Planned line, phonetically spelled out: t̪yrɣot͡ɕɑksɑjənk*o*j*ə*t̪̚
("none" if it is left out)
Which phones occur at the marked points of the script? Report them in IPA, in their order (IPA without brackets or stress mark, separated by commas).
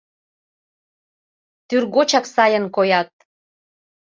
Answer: o, ɑ